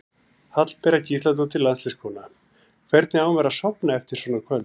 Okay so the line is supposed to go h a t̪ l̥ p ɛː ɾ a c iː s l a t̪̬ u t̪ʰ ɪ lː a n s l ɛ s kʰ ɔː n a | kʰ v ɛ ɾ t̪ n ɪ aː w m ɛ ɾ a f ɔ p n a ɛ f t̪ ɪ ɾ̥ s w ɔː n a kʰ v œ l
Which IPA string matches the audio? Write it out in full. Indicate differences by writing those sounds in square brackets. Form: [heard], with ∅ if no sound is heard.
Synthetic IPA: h a t̪ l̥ p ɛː ɾ a c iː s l a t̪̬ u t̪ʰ ɪ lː a n s l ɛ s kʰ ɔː n a | kʰ v ɛ ɾ t̪ n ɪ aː w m ɛ ɾ a [s] ɔ p n a ɛ f t̪ ɪ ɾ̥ s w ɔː n a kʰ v œ l